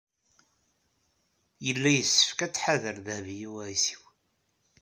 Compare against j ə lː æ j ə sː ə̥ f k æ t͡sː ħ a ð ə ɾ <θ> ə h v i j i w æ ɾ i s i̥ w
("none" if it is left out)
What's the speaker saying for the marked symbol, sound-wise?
ð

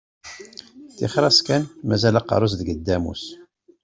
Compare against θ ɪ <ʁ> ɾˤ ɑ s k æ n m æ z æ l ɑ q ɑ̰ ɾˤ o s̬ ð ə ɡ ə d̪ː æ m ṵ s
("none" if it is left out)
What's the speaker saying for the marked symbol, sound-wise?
χ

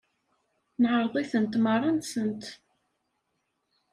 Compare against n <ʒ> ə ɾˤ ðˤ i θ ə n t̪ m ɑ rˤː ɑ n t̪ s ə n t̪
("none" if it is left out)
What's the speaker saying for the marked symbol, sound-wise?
ʕ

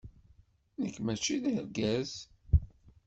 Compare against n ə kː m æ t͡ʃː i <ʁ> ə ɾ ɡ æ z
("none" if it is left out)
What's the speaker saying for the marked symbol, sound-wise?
ð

